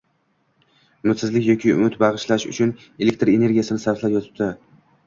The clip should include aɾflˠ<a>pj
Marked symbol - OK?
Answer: yes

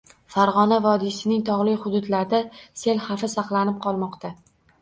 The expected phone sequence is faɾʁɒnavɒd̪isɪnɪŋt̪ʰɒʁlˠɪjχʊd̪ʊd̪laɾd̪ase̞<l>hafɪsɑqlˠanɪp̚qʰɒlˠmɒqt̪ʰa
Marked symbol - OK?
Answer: yes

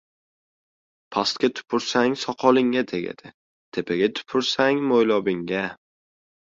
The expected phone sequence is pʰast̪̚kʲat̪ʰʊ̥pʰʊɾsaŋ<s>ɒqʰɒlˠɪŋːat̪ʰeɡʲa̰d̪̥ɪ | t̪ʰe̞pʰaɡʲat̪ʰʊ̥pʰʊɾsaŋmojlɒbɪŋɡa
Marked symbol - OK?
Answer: yes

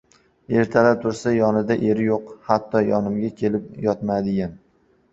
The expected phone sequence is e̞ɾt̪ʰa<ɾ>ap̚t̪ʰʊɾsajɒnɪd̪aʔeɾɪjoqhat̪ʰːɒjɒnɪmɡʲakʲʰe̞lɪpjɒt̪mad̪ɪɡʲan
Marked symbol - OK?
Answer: no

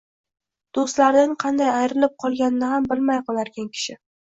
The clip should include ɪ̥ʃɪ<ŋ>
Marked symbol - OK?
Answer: no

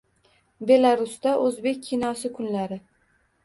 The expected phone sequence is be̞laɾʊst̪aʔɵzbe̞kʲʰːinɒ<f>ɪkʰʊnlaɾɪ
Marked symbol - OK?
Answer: no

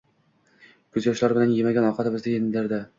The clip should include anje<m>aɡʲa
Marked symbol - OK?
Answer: yes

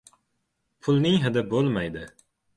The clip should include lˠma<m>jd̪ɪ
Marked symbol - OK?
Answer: no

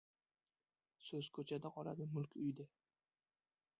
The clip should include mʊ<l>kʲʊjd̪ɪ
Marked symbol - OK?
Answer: yes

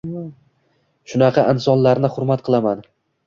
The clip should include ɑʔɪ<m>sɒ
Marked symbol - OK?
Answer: no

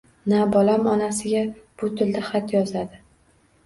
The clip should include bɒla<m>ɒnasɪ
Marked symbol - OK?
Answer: yes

